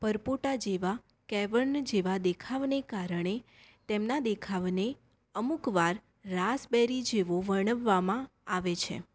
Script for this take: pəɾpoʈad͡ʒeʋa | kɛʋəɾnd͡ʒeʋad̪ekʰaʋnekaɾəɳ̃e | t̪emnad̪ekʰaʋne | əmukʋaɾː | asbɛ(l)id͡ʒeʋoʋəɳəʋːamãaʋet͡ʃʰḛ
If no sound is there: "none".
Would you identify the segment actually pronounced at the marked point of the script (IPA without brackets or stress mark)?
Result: ɾ